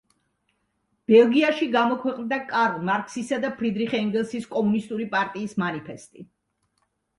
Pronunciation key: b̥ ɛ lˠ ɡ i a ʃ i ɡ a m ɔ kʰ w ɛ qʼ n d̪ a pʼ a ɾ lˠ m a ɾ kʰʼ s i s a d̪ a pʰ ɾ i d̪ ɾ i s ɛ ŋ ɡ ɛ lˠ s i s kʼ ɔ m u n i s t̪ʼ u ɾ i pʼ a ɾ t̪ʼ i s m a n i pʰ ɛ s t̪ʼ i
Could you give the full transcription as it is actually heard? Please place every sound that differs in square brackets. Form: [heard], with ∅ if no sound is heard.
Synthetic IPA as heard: b̥ ɛ lˠ ɡ i a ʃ i ɡ a m ɔ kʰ w ɛ qʼ n d̪ a [kʼ] a ɾ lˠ m a ɾ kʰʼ s i s a d̪ a pʰ ɾ i d̪ ɾ i [χ] ɛ ŋ ɡ ɛ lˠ s i s kʼ ɔ m u n i s t̪ʼ u ɾ i pʼ a ɾ t̪ʼ [iː] s m a n i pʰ ɛ s t̪ʼ i